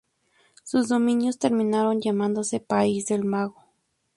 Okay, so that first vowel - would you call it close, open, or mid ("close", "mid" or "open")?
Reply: close